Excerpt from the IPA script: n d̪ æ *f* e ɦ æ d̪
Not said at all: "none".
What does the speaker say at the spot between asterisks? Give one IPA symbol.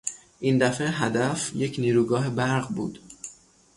f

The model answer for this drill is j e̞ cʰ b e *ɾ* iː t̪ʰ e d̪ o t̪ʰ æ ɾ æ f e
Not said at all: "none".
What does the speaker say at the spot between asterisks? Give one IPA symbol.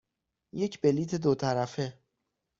l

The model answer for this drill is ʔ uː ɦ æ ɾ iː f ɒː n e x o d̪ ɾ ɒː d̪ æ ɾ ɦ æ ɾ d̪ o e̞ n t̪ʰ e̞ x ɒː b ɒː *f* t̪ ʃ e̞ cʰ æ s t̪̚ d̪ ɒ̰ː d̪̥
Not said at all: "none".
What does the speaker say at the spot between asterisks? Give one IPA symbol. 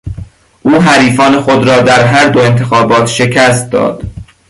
none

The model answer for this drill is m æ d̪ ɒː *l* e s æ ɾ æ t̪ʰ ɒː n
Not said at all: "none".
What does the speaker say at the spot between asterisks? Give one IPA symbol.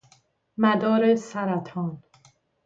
ɾ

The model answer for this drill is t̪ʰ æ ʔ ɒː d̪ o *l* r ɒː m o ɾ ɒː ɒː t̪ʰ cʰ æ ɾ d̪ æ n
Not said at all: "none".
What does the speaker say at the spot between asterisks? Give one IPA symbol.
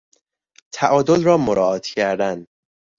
l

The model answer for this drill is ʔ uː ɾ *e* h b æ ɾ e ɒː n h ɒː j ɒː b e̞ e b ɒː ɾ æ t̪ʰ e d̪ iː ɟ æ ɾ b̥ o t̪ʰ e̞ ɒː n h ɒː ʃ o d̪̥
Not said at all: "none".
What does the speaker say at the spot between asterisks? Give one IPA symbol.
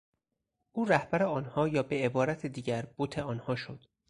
æ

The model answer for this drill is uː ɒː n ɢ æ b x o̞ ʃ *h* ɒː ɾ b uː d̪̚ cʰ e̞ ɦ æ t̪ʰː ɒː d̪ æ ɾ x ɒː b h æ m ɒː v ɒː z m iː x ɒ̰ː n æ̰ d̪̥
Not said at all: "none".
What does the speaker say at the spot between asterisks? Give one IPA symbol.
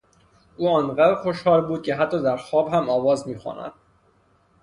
h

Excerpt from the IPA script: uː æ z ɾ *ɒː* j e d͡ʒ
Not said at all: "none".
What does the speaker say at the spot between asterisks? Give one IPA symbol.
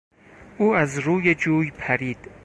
uː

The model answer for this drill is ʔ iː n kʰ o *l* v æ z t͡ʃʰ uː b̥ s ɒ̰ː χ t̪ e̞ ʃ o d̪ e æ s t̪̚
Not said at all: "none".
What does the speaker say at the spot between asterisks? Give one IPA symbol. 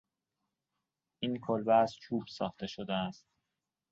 l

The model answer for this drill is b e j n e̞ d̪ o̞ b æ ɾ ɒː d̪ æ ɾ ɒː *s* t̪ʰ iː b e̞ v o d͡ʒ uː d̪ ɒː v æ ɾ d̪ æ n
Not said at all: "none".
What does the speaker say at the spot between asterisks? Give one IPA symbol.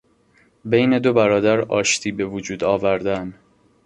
ʃ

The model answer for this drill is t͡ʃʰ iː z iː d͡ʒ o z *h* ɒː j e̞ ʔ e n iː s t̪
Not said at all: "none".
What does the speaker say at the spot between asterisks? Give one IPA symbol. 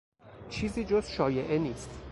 ʃ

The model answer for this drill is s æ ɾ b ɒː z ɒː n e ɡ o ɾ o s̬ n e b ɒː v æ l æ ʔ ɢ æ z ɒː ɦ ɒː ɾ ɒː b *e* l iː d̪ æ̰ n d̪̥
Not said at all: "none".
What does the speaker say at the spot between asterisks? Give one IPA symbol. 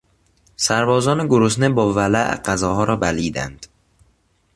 æ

